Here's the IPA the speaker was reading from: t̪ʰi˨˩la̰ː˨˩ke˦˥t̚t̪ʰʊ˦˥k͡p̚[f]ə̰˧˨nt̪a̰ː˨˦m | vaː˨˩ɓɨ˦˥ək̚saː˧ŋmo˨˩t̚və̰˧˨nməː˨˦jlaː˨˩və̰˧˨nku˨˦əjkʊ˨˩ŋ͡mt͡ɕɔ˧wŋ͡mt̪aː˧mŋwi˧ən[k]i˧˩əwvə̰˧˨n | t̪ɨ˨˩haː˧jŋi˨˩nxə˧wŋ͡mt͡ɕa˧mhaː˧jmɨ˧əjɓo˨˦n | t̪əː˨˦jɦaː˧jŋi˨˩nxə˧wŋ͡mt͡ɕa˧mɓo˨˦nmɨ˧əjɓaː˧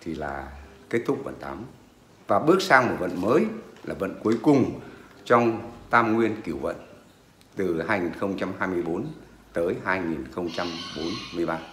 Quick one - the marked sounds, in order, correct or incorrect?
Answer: incorrect, correct

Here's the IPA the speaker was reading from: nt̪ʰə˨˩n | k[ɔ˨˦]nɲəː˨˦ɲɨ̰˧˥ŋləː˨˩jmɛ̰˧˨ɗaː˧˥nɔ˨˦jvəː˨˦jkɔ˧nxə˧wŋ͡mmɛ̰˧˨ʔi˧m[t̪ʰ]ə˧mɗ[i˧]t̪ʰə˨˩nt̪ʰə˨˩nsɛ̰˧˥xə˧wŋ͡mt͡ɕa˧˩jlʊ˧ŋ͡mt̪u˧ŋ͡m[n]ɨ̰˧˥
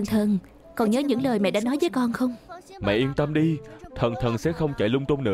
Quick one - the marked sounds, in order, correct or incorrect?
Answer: incorrect, incorrect, correct, correct

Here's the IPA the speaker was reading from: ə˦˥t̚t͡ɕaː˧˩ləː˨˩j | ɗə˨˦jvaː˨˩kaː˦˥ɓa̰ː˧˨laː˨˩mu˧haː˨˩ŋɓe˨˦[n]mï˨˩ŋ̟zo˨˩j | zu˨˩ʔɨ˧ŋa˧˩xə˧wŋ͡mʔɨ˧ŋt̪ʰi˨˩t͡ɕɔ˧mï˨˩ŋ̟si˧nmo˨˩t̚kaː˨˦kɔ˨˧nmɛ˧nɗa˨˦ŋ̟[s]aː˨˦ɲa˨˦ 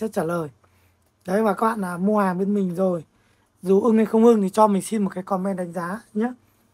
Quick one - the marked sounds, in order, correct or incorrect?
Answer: correct, incorrect

